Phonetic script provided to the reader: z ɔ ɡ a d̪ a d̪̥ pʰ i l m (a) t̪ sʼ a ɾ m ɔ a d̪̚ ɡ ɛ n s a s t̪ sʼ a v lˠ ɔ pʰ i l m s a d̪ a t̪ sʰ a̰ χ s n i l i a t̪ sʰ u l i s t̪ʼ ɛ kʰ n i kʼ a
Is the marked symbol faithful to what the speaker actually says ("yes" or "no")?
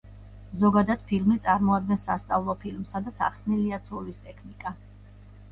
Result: no